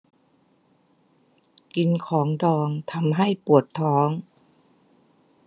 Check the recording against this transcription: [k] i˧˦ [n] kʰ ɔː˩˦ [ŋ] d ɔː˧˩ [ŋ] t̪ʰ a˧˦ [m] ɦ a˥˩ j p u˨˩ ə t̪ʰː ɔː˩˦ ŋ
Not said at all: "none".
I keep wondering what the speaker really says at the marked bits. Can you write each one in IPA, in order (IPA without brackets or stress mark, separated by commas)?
k, n, ŋ, ŋ, m